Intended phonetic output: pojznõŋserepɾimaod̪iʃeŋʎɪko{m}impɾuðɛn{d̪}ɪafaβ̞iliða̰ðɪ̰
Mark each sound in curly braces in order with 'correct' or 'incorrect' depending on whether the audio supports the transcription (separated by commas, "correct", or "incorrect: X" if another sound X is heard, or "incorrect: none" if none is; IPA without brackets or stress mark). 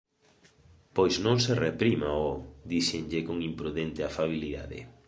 incorrect: ŋ, incorrect: t̪